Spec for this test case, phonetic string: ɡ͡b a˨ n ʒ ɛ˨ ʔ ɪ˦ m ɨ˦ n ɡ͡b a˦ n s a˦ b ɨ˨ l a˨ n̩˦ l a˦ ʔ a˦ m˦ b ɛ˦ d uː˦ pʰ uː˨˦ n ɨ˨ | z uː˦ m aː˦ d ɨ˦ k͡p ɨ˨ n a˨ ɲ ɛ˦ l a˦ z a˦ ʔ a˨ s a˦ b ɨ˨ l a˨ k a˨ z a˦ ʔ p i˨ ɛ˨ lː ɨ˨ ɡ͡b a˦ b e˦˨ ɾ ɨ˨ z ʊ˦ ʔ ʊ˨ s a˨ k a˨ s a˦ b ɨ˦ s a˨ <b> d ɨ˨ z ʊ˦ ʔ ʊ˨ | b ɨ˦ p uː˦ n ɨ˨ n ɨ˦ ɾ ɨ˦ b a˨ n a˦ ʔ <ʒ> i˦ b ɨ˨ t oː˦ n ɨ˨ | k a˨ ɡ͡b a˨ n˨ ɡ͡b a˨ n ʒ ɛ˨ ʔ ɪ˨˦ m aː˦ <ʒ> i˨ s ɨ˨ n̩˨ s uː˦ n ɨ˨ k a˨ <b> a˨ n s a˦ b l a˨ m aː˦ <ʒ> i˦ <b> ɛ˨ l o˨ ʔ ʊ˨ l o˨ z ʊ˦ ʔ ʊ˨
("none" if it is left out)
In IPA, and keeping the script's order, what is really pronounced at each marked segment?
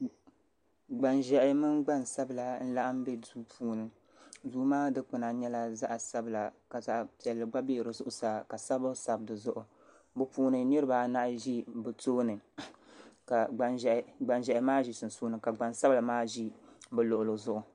b, ʒ, ʒ, ɡ͡b, ʒ, b

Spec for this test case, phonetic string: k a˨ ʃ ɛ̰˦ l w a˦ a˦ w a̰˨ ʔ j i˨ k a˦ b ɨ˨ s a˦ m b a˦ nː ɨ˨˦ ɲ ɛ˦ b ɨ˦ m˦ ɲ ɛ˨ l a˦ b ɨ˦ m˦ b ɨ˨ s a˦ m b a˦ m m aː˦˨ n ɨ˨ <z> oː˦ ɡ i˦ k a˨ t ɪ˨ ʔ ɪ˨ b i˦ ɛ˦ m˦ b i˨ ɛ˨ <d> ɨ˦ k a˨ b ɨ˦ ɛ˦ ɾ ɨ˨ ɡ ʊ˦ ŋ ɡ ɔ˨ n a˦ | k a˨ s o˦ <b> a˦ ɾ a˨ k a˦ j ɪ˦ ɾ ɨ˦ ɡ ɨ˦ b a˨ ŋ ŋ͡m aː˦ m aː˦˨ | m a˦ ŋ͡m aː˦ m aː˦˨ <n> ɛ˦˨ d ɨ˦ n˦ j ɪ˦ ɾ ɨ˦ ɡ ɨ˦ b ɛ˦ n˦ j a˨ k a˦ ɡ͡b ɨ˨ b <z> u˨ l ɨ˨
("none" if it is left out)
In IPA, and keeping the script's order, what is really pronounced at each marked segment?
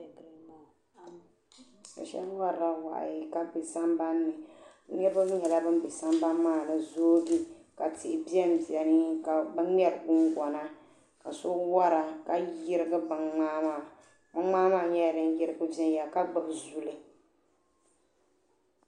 z, n, w, ɲ, z

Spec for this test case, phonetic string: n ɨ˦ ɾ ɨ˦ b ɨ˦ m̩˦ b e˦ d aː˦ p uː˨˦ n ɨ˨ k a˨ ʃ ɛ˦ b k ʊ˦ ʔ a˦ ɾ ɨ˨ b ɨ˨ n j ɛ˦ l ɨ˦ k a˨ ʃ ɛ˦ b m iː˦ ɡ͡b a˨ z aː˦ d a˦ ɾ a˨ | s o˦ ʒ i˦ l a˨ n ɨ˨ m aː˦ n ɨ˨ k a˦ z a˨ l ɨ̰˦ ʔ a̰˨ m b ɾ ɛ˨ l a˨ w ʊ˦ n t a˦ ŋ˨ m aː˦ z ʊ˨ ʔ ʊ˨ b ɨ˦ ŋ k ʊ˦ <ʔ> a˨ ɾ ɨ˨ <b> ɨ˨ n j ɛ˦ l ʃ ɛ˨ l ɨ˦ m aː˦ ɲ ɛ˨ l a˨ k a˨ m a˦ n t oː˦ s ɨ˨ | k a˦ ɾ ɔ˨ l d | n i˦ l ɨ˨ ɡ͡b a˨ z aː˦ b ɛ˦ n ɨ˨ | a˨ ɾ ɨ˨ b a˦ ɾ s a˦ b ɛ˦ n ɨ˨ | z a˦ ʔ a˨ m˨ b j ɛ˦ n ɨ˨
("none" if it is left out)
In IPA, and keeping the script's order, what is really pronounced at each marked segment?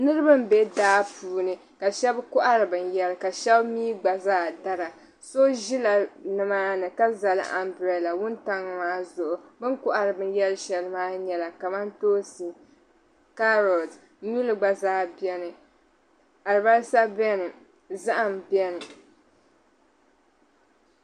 ʔ, b

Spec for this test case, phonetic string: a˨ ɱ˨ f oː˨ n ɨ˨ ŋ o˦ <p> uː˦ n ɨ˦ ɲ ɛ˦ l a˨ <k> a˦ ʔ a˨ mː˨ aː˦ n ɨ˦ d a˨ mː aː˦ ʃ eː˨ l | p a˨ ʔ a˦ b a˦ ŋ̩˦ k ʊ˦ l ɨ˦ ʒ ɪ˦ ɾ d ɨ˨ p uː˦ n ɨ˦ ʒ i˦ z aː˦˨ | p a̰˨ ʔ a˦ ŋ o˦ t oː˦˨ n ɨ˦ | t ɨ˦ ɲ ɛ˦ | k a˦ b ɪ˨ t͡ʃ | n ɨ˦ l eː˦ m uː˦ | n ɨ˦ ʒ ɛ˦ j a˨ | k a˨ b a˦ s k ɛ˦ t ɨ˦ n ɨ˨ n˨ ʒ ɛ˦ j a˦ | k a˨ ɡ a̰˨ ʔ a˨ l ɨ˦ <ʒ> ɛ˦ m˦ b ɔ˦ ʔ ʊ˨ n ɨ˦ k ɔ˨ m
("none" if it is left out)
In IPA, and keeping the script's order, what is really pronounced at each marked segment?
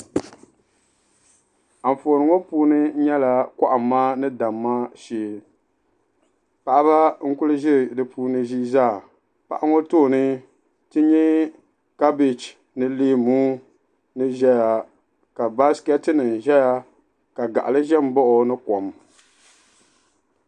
p, k, ʒ

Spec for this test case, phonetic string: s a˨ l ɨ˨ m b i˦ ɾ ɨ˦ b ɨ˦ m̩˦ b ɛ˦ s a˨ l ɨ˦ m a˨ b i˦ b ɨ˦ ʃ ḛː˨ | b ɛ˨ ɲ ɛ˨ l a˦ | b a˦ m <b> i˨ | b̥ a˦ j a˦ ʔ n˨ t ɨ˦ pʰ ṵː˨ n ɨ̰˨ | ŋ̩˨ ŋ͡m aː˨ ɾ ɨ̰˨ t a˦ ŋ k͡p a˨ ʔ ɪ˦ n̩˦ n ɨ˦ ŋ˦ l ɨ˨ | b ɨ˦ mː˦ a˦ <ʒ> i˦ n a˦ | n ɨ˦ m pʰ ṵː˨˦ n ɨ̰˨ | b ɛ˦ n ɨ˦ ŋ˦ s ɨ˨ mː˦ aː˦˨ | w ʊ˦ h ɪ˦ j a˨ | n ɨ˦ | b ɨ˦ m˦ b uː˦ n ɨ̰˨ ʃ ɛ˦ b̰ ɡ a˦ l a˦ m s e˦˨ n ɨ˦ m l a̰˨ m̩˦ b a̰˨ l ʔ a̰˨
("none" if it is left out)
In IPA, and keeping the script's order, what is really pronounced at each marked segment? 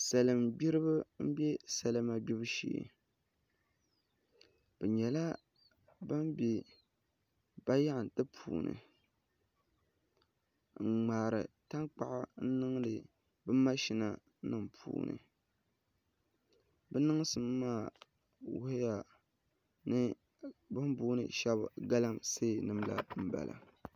b, ʃ

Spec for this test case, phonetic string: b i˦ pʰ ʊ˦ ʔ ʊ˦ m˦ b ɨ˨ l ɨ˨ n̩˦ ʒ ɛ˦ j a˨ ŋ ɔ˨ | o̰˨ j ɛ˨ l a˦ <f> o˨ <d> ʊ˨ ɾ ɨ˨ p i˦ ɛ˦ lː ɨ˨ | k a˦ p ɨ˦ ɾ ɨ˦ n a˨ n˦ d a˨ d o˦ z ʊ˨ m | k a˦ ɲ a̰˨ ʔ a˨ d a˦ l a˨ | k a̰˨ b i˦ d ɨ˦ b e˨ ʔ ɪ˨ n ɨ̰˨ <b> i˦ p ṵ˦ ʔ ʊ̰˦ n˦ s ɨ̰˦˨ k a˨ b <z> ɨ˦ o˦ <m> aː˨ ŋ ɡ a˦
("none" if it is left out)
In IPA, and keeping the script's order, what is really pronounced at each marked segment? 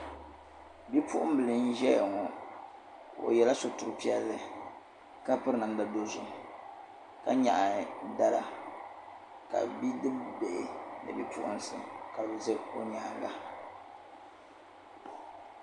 s, t, b, z, ɲ

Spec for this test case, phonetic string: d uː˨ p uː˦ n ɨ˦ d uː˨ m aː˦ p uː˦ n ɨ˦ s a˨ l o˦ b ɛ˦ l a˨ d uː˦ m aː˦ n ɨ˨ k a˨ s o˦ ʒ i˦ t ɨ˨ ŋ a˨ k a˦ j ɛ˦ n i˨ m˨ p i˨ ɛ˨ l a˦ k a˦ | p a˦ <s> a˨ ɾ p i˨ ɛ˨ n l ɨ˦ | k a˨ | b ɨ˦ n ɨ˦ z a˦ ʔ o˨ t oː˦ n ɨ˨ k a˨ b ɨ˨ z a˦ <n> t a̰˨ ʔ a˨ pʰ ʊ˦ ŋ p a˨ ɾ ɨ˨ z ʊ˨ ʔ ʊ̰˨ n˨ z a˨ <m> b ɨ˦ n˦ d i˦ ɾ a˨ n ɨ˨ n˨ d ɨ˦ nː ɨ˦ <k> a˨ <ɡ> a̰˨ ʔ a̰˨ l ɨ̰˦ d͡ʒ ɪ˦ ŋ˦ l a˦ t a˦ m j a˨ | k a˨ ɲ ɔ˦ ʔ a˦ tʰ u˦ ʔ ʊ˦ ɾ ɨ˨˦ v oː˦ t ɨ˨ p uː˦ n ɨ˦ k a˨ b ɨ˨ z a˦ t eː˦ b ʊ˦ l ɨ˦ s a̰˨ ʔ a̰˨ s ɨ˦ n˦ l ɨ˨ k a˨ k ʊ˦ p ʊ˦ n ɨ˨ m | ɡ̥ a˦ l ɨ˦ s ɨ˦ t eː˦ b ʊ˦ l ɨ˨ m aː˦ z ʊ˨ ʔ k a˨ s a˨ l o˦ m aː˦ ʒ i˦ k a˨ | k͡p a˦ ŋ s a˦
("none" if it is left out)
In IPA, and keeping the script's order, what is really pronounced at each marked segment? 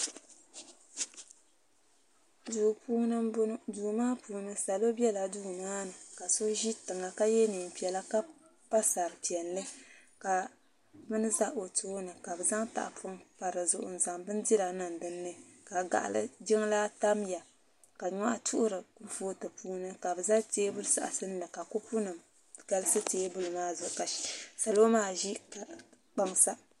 s, ŋ, ŋ, k, ɡ

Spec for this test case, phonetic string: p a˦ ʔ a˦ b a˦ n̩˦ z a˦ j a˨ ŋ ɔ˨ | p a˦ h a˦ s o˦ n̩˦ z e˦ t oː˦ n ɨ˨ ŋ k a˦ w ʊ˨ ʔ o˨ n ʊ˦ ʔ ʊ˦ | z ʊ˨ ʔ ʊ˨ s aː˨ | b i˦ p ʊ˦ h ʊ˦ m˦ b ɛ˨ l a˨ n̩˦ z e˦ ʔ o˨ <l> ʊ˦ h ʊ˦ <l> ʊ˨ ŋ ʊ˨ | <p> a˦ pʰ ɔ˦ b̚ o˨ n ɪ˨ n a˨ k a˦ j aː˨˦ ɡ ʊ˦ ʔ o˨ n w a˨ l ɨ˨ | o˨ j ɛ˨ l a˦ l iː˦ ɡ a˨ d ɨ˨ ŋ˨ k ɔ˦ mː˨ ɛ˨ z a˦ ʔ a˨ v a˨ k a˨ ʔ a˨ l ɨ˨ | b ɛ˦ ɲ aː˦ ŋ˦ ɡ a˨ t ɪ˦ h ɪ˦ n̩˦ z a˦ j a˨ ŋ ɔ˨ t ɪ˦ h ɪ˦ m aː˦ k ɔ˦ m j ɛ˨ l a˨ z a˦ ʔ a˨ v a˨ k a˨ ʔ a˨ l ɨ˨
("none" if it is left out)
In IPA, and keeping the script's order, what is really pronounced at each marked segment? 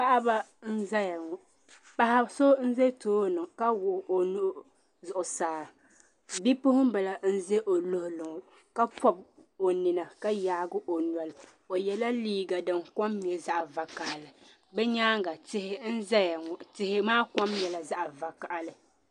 l, l, k

